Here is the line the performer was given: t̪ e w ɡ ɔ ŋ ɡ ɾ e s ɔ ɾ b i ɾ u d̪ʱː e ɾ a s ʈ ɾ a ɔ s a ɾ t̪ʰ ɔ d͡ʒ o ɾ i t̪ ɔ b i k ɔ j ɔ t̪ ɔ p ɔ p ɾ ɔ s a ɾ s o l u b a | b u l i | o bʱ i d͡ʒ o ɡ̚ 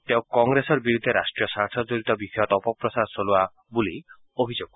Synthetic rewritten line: t̪ e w k ɔ ŋ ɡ ɾ e s ɔ ɾ b i ɾ u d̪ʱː e ɾ a s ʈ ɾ i ɔ s a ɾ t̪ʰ ɔ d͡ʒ o ɾ i t̪ ɔ b i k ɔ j ɔ t̪ ɔ p ɔ p ɾ ɔ s a ɾ s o l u a | b u l i | o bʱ i d͡ʒ o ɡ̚